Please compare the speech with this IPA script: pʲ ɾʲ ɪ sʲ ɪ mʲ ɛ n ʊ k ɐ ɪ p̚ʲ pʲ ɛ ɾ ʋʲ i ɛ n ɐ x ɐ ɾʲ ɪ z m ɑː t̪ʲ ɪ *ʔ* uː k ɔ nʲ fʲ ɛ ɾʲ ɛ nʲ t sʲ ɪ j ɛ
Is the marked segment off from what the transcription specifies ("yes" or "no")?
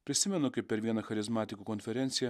yes